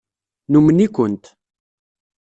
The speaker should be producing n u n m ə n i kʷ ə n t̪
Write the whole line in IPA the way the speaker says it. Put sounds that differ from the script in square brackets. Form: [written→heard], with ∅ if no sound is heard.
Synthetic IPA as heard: n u [n→∅] m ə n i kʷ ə n t̪

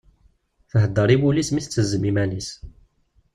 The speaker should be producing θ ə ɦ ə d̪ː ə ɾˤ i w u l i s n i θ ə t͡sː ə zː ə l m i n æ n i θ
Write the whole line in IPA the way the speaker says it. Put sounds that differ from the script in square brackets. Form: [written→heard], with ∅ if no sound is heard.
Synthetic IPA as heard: θ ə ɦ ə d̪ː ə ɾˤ i w u l i s [n→m] i θ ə t͡sː ə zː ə [l→∅] m i [n→m] æ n i [θ→s]

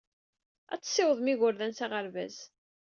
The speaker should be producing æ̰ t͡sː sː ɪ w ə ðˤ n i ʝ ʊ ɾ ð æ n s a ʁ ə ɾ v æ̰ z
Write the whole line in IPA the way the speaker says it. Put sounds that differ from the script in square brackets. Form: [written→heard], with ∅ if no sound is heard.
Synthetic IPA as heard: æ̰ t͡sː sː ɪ w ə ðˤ [n→m] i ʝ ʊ ɾ ð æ n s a ʁ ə ɾ v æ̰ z

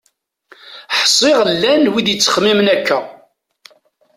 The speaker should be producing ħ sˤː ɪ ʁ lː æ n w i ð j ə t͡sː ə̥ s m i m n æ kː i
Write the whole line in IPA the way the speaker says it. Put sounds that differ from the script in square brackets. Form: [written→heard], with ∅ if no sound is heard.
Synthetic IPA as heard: ħ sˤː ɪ ʁ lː æ n w i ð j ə t͡sː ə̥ [s→χ] m i m n æ kː [i→æ]

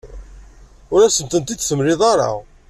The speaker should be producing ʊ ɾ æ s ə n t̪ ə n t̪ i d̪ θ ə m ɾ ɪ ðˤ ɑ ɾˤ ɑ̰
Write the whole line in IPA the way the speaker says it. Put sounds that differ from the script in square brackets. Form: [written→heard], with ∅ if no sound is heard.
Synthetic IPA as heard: ʊ ɾ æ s ə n t̪ ə n t̪ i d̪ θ ə m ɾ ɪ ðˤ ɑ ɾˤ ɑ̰

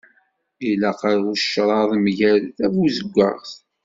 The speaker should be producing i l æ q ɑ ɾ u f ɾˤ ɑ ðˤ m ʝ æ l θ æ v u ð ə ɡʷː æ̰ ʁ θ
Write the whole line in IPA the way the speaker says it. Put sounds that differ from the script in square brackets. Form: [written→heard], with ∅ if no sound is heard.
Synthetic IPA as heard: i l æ q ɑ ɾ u [f→ʃ] ɾˤ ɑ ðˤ m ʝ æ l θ æ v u [ð→z] ə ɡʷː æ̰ ʁ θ

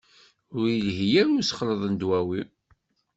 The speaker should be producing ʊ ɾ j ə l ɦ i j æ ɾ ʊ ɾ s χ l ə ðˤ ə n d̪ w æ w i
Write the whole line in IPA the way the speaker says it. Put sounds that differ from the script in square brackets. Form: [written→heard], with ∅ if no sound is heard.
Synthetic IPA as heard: ʊ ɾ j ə l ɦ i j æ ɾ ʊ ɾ s χ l ə ðˤ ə n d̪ w æ w i

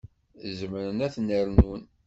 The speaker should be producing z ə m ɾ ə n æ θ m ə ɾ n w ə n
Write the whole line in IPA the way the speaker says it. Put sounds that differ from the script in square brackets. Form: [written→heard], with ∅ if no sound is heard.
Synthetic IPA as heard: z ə m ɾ ə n æ θ [m→n] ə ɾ n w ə n

